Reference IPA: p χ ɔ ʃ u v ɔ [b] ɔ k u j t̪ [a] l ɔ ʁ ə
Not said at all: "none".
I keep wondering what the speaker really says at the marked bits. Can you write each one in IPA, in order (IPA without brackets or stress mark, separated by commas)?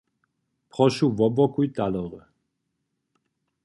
b, a